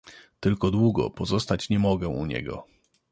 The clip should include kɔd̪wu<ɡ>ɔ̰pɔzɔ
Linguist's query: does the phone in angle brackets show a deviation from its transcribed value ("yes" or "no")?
no